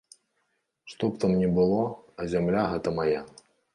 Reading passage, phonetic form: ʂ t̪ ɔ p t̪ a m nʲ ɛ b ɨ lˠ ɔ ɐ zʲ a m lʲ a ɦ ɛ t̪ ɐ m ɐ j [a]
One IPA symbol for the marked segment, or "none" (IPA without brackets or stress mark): a